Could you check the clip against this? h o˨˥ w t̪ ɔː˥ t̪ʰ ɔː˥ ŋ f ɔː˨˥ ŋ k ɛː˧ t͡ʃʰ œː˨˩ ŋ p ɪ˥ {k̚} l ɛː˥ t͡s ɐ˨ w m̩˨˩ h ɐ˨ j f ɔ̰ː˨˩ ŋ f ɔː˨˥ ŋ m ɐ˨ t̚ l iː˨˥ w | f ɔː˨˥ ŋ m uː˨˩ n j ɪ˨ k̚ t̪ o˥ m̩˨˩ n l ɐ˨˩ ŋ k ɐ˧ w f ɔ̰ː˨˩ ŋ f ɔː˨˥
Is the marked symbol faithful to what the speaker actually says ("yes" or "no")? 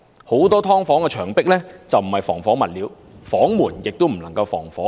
yes